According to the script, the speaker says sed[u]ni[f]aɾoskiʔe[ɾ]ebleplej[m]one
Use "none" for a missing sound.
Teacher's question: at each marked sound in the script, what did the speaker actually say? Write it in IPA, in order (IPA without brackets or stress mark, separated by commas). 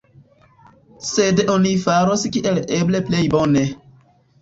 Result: o, f, l, b